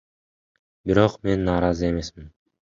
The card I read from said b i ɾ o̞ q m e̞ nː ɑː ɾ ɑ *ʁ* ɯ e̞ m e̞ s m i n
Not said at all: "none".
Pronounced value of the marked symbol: z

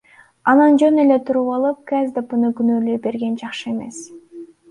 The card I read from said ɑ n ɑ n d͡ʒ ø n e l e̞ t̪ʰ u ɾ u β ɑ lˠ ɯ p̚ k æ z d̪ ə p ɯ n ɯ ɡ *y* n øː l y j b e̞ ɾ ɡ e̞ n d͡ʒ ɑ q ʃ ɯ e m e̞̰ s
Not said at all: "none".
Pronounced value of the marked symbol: y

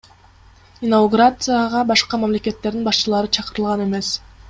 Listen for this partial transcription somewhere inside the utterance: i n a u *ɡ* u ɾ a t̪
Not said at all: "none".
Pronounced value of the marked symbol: ɡ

